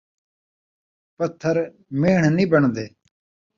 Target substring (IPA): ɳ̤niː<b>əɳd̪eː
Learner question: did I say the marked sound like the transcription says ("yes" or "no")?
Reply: yes